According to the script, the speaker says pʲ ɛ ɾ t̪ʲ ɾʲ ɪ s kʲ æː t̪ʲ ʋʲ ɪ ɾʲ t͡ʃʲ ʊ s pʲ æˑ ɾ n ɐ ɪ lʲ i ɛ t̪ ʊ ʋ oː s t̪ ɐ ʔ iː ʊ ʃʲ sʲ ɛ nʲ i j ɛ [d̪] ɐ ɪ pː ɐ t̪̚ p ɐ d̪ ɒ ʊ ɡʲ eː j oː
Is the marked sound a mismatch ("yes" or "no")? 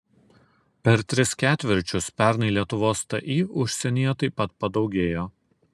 yes